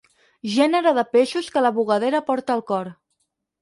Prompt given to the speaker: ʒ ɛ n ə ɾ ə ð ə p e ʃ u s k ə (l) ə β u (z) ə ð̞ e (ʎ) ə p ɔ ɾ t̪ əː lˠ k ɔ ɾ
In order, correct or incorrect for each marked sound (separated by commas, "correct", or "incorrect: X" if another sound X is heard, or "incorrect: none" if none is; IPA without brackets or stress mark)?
correct, incorrect: ɣ, incorrect: ɾ